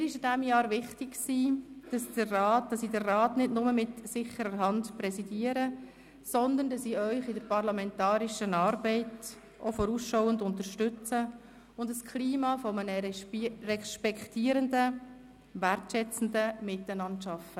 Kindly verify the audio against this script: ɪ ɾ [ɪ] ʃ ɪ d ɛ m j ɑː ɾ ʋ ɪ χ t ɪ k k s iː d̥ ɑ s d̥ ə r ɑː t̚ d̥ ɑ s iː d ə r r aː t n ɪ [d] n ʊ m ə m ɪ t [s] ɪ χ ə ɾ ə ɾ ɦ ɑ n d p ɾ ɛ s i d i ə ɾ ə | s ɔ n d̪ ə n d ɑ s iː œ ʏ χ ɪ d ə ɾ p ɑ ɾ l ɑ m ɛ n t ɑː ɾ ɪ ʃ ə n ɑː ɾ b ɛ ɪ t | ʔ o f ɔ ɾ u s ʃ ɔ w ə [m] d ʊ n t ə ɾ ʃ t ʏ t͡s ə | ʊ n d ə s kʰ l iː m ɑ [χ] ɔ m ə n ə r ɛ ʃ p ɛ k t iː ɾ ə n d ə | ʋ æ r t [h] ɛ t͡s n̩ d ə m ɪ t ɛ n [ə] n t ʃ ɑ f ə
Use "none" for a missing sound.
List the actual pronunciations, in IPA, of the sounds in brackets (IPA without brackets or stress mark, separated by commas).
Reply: ɪ, d, s, n, f, ʃ, ɑ